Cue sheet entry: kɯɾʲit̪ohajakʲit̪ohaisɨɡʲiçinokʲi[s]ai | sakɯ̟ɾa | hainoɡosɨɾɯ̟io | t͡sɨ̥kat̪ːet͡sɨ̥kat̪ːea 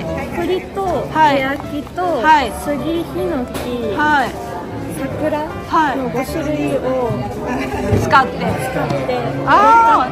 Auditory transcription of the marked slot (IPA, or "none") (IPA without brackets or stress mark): h